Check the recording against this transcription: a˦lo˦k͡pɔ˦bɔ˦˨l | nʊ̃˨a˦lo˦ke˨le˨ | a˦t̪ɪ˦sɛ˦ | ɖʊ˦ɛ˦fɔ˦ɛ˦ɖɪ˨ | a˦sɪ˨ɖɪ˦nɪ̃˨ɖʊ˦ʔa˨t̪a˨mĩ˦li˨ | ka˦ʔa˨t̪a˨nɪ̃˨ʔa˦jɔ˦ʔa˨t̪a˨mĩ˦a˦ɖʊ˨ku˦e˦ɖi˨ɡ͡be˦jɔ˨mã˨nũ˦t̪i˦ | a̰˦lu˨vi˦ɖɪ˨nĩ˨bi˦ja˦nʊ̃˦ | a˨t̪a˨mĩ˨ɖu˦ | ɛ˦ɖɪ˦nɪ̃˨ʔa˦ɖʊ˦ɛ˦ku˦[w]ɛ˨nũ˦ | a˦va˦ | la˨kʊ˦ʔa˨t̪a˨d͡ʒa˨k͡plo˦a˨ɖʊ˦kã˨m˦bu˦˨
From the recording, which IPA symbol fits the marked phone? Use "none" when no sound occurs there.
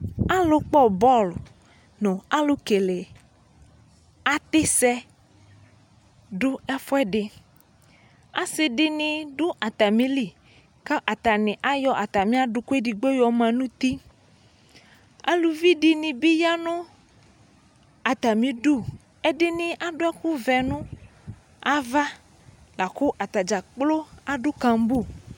v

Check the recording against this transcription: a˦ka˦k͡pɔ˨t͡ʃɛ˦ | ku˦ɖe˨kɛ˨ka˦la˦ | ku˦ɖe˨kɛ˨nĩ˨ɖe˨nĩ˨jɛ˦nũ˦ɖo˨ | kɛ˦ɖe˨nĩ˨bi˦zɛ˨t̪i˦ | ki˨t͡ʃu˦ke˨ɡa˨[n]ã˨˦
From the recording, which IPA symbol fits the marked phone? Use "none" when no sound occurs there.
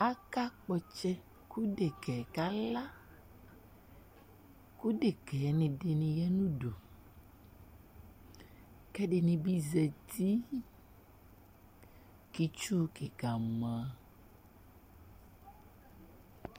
m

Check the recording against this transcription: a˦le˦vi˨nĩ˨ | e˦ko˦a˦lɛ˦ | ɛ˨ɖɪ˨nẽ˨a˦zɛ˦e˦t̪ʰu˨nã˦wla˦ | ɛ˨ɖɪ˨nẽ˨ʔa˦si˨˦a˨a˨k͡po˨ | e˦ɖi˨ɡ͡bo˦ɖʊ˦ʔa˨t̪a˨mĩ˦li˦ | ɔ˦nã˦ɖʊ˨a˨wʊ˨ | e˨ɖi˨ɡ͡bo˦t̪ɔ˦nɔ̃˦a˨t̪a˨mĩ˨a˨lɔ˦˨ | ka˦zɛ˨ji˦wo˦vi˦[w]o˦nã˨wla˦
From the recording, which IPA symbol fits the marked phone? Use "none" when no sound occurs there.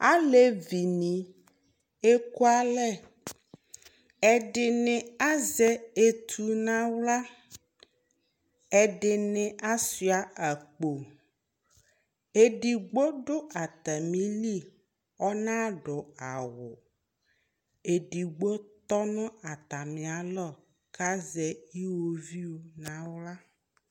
w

